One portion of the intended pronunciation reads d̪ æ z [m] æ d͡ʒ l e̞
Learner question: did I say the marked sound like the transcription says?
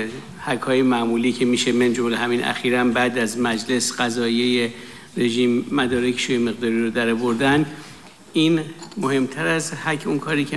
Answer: yes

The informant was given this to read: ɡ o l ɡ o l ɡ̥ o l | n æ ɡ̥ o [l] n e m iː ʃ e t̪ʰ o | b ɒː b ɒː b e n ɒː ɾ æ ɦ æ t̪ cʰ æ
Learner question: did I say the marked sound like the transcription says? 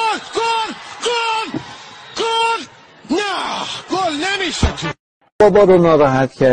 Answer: yes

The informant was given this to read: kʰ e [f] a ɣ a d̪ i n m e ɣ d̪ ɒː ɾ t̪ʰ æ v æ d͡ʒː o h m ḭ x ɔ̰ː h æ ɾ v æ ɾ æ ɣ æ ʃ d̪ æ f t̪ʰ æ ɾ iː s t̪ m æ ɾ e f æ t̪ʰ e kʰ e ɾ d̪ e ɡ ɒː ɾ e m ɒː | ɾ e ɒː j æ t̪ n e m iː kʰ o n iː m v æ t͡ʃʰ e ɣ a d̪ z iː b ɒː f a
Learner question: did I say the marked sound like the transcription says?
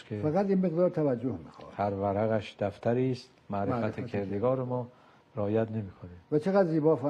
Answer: yes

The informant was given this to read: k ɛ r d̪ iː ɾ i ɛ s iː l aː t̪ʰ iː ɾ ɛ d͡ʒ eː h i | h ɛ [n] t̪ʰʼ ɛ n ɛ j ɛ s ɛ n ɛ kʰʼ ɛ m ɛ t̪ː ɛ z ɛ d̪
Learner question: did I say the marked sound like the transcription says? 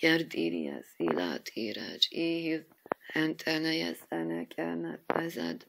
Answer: yes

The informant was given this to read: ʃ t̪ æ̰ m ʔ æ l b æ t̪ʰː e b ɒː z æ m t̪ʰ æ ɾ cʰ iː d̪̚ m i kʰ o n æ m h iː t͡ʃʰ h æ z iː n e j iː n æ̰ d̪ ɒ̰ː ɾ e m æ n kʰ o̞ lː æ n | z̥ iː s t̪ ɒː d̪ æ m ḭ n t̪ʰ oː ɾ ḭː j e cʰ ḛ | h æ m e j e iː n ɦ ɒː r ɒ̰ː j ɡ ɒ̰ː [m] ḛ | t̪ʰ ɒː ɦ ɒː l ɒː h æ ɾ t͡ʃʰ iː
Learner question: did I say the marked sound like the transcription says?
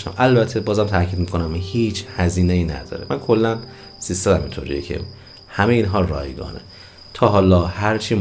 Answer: no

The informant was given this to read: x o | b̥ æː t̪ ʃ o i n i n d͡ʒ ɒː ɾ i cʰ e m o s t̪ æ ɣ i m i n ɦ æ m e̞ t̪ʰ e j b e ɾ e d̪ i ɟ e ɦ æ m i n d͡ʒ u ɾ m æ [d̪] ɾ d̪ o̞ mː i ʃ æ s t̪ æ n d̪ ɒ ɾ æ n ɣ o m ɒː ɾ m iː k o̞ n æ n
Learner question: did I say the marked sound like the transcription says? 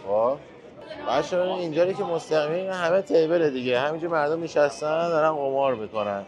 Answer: no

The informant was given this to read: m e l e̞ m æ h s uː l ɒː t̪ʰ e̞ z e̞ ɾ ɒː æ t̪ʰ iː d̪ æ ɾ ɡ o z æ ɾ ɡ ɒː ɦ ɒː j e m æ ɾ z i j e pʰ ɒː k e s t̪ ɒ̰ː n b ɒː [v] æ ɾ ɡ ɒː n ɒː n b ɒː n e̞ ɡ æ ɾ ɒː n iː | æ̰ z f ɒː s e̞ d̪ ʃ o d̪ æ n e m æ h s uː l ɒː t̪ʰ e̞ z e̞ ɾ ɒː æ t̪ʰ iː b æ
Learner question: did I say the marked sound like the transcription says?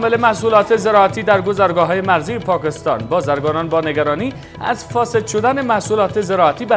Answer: no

